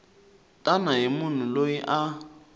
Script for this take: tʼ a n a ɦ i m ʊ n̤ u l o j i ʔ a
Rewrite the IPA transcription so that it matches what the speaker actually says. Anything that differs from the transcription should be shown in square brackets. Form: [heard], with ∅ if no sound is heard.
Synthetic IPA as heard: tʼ a n a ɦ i m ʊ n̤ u l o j i ʔ a